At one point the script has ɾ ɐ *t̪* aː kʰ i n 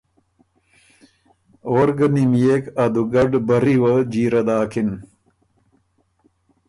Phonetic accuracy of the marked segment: incorrect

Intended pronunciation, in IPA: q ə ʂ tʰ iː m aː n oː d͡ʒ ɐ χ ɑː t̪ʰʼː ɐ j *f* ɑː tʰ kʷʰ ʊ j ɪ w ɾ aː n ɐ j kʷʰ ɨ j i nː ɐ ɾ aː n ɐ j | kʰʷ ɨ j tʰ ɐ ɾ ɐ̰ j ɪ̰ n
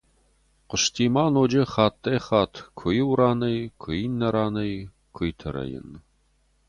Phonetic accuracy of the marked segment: incorrect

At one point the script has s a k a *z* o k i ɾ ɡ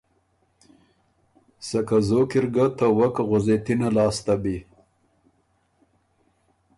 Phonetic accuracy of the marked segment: correct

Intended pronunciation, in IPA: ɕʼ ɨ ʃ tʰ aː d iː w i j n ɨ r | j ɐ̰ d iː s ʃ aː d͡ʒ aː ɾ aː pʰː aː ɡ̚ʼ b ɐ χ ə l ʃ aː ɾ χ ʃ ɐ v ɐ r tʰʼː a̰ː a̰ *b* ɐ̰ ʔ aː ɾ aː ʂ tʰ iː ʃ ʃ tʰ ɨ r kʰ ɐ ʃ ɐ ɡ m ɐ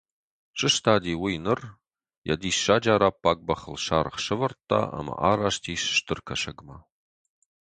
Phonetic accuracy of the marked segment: incorrect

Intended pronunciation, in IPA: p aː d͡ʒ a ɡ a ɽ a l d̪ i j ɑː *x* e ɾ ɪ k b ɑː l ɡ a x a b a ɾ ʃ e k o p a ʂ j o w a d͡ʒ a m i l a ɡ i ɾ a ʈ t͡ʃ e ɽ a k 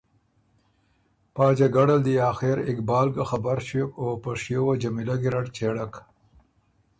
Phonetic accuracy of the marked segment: correct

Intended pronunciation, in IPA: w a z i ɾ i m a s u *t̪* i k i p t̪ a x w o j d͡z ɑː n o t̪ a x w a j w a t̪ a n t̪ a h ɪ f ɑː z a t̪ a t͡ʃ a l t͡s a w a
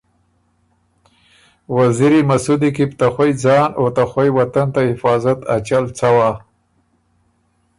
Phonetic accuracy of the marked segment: incorrect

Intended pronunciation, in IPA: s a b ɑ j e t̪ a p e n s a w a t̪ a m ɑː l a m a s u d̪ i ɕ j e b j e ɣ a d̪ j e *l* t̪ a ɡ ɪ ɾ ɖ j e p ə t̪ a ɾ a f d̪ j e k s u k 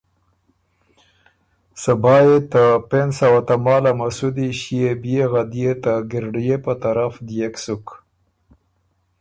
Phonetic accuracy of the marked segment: incorrect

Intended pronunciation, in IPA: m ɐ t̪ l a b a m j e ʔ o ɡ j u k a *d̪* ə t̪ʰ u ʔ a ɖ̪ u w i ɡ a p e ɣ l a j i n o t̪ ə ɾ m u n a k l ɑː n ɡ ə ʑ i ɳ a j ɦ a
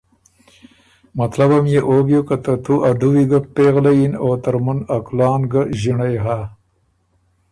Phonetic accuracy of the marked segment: incorrect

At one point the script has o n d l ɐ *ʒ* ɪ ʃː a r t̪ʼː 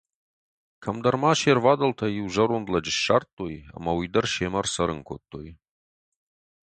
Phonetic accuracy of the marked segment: incorrect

